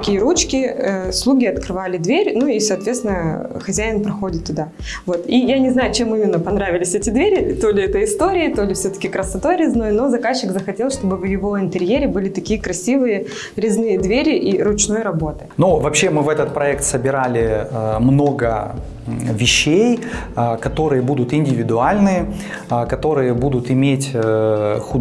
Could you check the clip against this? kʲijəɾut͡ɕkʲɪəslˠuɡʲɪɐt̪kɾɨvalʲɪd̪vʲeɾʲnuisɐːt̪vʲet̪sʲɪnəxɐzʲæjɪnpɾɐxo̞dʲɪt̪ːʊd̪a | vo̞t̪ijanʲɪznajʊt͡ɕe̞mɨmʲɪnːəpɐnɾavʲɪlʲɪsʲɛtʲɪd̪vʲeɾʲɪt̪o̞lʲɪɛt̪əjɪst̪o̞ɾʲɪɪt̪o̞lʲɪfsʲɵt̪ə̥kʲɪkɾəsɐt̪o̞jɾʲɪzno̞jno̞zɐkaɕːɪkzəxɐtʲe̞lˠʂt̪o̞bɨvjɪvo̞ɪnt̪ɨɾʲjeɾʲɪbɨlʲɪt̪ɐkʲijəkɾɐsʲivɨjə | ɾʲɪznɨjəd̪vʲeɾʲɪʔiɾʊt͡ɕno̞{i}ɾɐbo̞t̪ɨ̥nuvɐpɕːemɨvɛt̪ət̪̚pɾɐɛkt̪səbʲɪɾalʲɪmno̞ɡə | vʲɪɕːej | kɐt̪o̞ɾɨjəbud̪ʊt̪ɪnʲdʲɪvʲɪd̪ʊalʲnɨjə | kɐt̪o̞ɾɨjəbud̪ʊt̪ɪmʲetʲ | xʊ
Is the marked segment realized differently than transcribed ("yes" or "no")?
yes